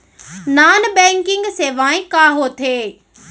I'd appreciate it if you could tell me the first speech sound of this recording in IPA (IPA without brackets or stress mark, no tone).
n